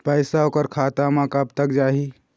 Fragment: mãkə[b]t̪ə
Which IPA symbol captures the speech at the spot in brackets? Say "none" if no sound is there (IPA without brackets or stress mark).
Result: b